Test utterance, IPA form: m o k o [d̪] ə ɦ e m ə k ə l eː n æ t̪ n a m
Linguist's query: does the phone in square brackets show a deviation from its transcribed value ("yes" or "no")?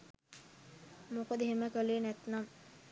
no